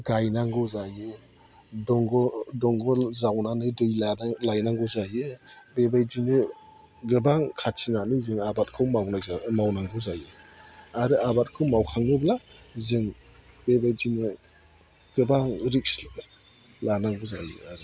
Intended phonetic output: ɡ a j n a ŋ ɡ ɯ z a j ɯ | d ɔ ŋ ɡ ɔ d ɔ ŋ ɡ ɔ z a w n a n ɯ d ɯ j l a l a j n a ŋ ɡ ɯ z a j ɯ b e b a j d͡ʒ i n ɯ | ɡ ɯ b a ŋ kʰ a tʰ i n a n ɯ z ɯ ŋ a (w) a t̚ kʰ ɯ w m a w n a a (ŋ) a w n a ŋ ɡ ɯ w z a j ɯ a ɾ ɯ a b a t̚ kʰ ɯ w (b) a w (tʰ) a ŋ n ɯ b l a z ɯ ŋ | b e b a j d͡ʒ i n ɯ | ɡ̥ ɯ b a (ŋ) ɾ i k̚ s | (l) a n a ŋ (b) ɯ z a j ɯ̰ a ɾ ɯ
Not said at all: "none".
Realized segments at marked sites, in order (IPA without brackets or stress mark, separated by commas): b, m, m, kʰ, ŋ, l, ɡ